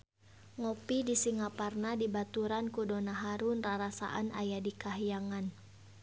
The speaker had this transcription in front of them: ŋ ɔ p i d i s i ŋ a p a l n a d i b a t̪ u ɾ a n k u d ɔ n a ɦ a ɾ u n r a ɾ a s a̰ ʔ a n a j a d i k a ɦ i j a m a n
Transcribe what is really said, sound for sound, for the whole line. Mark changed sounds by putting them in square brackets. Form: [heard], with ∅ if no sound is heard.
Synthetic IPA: ŋ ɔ p i d i s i ŋ a p a [r] n a d i b a t̪ u ɾ a n k u d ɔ n a ɦ a ɾ u n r a ɾ a s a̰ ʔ a n a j a d i k a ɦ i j a [ŋ] a n